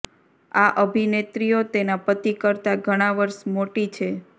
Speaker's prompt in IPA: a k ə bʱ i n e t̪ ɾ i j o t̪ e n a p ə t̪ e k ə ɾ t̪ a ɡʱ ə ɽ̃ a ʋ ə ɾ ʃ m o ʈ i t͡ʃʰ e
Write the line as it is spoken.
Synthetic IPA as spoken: a ʔ ə bʱ i n e t̪ ɾ i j o t̪ e n a p ə t̪ i k ə ɾ t̪ a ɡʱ ə ɽ̃ a ʋ ə ɾ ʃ m o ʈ i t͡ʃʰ e